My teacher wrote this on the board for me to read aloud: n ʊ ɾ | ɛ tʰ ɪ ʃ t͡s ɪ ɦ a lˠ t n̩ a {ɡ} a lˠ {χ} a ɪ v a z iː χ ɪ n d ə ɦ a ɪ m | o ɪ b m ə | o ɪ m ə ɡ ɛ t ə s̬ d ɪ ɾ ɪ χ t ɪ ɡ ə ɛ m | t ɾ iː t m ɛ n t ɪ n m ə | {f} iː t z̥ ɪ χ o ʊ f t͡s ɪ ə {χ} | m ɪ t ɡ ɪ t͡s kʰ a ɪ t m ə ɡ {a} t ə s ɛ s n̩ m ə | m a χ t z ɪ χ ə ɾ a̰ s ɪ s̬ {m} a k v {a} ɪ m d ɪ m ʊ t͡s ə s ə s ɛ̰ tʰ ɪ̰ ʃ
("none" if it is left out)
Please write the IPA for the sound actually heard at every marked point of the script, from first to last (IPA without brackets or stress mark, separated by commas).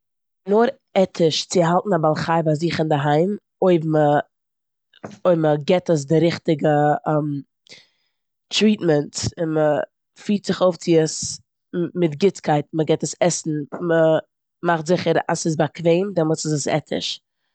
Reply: b, χ, f, s, ɛ, b, e